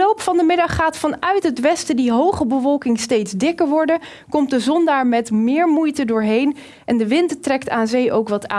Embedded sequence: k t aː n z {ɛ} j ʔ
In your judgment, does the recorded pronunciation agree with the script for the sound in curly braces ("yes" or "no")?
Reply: no